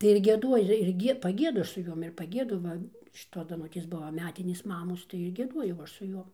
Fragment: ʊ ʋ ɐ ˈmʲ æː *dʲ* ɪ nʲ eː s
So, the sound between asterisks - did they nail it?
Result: no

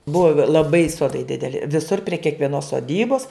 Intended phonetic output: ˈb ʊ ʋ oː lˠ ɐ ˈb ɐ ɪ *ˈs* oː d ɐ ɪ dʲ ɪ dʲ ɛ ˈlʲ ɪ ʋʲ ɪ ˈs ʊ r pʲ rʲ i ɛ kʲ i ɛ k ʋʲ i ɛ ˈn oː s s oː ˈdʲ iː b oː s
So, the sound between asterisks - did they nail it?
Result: yes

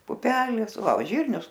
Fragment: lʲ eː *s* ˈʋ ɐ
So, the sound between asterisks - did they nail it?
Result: yes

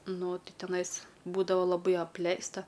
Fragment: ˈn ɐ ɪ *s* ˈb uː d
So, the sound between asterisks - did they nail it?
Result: yes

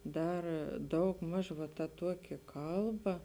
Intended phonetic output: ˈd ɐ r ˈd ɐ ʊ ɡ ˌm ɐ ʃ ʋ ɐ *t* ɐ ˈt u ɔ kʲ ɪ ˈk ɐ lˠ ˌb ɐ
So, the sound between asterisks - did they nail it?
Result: yes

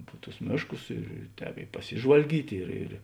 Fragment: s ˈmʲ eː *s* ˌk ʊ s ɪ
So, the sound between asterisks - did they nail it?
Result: no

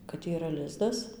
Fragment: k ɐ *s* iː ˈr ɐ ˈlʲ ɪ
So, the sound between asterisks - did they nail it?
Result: no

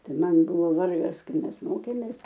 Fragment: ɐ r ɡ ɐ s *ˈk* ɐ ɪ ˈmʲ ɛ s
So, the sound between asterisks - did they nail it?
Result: yes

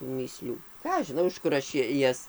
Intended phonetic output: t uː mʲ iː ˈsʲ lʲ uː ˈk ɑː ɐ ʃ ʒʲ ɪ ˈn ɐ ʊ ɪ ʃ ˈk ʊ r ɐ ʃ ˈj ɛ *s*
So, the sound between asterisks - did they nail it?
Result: yes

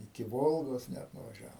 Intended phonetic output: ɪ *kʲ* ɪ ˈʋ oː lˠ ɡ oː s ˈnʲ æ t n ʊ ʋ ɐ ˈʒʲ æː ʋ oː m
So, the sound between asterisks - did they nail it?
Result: yes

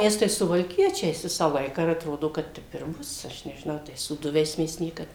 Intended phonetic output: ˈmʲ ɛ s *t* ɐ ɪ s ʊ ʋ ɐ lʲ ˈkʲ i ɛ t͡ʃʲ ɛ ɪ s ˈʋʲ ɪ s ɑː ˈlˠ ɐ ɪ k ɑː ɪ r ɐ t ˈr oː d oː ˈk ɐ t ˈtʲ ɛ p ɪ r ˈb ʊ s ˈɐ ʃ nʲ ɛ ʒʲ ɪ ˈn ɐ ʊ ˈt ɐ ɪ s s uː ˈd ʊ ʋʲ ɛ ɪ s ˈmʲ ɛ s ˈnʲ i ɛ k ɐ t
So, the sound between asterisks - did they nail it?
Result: yes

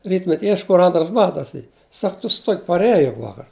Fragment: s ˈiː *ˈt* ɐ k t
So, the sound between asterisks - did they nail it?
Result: no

